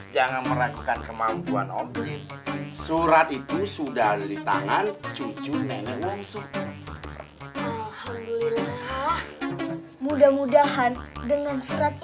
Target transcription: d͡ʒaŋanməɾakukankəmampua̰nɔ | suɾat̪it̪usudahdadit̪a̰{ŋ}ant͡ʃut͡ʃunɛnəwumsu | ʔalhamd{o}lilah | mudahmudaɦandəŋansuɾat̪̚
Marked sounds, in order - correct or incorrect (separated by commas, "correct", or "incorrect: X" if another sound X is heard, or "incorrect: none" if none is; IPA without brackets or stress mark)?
correct, incorrect: u